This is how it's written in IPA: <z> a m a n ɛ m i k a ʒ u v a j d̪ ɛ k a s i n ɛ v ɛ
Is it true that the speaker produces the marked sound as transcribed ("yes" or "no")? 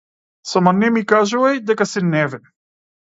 no